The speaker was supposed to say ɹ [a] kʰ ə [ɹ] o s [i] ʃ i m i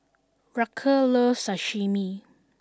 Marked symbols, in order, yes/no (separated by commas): yes, no, no